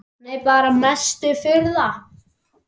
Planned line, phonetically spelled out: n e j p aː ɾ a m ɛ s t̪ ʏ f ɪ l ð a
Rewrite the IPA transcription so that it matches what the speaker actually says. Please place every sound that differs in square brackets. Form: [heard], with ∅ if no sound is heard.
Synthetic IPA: n e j p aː ɾ a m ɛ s t̪ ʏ f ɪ [ɾ] ð a